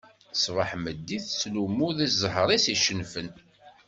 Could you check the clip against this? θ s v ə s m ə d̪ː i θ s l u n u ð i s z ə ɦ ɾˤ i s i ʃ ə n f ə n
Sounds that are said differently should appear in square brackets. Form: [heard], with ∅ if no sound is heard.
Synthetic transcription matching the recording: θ s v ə [ħ] m ə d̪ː i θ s l u [m] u ð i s z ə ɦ ɾˤ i s i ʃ ə n f ə n